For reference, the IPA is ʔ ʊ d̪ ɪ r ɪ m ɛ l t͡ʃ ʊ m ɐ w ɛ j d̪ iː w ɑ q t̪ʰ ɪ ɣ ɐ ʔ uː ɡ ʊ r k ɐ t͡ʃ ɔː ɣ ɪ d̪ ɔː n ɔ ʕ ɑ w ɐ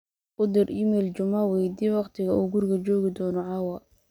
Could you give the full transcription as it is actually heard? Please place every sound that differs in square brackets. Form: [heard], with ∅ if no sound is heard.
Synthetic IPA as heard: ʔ ʊ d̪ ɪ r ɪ m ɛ l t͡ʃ ʊ m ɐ w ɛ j d̪ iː w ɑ q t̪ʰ ɪ ɣ ɐ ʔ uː ɡ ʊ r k ɐ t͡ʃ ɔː ɣ ɪ d̪ ɔː n ɔ ʕ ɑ w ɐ